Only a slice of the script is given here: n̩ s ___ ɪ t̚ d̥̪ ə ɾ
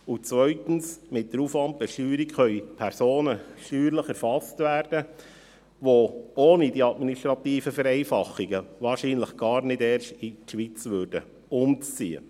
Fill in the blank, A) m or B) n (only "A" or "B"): A